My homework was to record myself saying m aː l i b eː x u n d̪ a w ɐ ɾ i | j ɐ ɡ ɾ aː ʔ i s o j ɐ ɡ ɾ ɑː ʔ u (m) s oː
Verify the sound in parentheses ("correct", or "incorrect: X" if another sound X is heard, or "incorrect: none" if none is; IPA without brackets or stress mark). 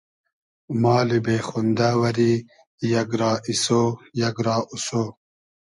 incorrect: none